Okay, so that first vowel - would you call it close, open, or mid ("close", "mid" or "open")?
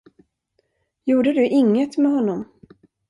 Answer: close